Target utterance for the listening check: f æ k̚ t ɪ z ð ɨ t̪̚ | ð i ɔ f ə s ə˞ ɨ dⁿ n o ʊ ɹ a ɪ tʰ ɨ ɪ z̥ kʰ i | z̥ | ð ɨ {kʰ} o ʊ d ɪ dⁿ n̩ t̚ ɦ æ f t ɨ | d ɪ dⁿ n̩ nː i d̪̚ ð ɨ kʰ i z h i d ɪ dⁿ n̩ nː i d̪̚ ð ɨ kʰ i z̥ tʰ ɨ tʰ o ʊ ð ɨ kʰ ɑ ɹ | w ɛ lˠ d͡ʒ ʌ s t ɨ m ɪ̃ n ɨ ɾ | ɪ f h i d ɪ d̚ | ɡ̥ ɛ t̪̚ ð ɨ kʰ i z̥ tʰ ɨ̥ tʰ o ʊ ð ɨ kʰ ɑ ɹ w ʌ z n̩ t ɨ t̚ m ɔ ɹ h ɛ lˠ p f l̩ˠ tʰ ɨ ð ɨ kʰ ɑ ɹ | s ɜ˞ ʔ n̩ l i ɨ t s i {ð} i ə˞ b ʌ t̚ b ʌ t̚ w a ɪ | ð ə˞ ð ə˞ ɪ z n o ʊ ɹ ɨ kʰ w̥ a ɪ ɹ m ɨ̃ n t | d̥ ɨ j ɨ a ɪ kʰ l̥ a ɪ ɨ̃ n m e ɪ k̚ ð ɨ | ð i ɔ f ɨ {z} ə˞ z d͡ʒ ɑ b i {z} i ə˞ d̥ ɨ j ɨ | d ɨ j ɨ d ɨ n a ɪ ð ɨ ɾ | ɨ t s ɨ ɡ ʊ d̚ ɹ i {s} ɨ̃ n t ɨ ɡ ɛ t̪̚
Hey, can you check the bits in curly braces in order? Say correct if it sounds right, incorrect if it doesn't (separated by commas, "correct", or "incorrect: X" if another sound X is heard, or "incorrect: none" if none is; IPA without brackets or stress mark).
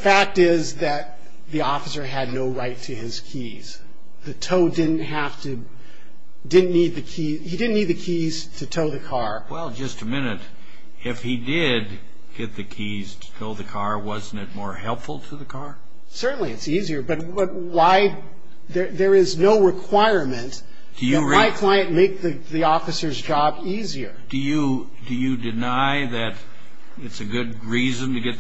incorrect: tʰ, incorrect: z, incorrect: s, correct, incorrect: z